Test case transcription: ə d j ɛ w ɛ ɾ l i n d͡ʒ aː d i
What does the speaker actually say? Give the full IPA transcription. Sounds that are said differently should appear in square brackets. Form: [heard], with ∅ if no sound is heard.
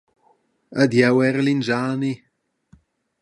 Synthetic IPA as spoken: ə d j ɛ w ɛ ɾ l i n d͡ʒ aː [n] i